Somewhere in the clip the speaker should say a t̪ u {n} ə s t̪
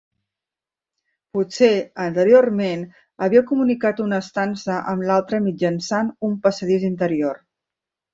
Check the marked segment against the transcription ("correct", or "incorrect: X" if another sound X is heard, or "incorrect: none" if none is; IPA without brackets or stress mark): correct